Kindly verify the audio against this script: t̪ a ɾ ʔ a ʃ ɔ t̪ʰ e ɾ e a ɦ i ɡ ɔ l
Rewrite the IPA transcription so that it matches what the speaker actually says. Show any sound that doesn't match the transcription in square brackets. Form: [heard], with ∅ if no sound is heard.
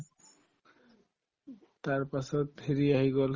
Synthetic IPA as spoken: t̪ a ɾ [p] a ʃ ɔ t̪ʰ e ɾ [i] a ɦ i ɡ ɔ l